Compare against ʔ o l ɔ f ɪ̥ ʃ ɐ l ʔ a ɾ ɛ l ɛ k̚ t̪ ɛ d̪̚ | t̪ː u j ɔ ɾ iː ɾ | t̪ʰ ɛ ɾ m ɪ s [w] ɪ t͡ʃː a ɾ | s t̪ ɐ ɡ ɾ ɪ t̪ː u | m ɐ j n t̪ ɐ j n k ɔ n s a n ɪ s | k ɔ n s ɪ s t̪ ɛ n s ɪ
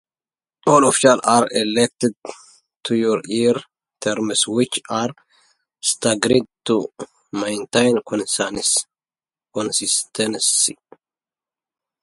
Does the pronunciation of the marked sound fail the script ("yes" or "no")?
no